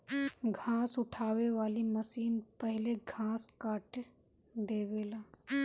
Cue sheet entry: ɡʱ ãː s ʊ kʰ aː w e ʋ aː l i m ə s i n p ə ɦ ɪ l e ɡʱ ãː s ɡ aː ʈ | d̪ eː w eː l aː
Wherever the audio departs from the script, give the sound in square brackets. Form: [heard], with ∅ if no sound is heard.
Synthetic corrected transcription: ɡʱ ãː s ʊ [ʈʰ] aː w e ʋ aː l i m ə s [iː] n p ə ɦ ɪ l e ɡʱ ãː s [k] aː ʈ | d̪ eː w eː l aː